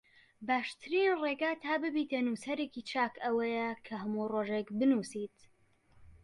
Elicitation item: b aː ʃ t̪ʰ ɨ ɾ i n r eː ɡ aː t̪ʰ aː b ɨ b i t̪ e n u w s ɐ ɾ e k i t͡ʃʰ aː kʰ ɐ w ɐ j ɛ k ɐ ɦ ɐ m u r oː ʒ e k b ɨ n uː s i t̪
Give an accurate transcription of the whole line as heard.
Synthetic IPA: b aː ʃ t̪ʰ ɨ ɾ i n r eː ɡ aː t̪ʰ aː b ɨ b i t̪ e n u s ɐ ɾ e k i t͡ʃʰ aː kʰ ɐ w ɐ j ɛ kʰ ɐ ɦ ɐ m u r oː ʒ e k b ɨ n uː s i t̪